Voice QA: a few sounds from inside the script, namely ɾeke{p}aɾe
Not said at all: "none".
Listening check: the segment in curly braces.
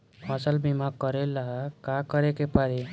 p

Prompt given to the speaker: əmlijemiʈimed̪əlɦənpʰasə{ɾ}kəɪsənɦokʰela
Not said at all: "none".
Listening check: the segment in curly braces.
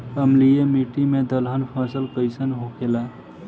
l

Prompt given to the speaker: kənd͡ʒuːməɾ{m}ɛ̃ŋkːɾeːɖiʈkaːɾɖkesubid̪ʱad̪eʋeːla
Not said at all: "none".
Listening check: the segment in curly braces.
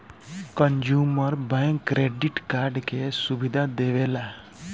b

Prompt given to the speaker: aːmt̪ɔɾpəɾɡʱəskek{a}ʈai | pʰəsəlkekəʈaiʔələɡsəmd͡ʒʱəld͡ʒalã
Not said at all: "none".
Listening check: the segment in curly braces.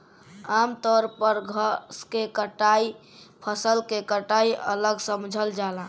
ə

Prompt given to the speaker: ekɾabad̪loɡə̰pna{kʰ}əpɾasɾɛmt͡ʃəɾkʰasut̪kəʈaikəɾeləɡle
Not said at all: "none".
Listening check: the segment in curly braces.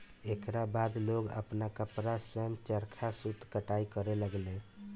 k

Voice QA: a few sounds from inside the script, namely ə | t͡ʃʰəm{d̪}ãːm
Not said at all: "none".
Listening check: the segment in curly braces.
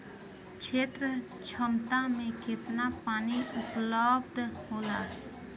t̪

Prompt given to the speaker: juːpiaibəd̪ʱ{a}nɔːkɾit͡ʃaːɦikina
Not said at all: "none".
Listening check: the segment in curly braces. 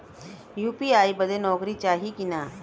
e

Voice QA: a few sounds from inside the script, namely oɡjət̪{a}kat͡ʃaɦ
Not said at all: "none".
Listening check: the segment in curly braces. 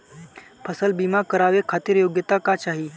a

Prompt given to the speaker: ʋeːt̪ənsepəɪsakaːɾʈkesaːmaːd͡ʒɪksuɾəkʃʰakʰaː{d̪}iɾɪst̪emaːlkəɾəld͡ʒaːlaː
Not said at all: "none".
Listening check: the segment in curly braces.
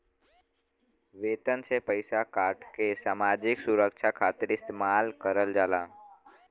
t̪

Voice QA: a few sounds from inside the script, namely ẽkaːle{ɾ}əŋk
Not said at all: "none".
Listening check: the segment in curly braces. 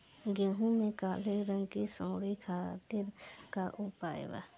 ɾ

